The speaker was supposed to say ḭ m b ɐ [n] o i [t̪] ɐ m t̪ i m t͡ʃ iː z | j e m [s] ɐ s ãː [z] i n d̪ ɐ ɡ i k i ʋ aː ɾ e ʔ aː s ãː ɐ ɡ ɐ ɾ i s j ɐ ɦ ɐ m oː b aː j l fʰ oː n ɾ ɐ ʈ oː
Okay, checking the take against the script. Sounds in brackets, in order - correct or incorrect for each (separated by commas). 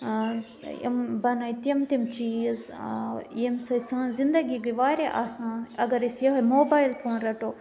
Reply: correct, correct, correct, correct